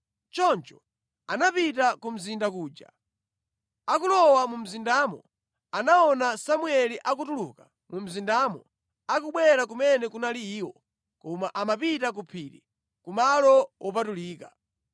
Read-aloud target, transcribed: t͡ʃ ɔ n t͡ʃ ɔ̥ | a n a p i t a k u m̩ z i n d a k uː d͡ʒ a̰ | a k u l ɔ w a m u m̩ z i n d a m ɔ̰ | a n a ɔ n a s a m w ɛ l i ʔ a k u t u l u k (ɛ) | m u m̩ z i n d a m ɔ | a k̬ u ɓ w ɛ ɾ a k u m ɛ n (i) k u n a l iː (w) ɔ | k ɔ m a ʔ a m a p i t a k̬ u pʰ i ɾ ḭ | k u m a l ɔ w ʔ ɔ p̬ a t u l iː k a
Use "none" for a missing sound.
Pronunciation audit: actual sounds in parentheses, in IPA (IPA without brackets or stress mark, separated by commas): a, ɛ, w